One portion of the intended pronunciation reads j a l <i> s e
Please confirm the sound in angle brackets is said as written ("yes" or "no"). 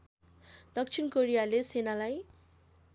no